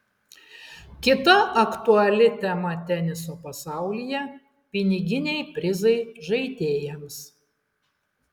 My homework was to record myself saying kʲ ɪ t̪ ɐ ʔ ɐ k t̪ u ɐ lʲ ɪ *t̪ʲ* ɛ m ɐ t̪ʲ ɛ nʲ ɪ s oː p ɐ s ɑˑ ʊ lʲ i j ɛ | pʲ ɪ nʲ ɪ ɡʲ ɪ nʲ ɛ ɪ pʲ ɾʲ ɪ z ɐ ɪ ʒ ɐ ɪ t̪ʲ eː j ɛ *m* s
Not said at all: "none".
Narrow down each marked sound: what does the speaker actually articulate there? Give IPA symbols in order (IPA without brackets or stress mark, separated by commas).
t̪ʲ, m